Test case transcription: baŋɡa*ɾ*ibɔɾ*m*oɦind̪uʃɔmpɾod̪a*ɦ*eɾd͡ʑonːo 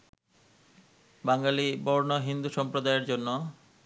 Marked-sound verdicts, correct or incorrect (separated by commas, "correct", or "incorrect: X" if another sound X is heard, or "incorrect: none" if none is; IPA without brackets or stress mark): incorrect: l, incorrect: n, incorrect: none